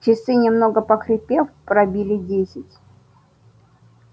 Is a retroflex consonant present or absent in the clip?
absent